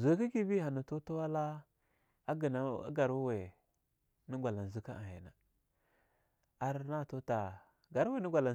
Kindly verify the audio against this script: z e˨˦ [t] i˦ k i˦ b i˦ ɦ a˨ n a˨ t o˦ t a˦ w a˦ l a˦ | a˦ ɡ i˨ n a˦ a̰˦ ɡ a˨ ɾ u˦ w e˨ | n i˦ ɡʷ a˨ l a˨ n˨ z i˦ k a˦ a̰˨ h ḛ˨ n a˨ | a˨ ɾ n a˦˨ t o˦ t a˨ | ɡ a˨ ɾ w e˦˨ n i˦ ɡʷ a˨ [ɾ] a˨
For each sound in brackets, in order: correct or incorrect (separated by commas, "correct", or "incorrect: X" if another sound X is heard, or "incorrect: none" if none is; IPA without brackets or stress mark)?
incorrect: k, incorrect: l